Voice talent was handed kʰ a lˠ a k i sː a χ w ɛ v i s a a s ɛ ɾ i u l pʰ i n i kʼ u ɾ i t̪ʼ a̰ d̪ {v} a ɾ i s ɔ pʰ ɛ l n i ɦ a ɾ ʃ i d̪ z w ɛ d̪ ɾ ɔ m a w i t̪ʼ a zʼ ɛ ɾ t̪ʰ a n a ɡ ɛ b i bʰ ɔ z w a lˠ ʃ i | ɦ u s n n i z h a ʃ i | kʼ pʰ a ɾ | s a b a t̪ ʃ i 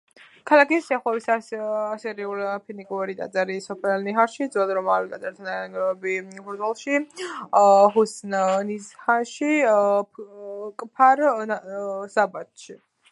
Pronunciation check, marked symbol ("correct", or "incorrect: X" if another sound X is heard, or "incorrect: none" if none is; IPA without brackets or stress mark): incorrect: z